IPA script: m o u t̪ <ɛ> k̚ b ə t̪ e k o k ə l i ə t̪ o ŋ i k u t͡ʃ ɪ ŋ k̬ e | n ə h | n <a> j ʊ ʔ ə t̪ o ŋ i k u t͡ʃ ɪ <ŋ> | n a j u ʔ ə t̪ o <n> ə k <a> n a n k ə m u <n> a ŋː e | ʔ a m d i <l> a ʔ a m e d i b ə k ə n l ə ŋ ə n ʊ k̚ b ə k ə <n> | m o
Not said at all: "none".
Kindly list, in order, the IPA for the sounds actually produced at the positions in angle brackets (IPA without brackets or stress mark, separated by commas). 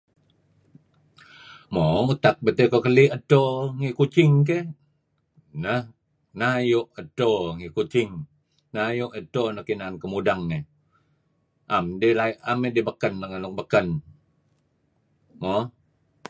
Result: a, a, ŋ, n, i, d, l, n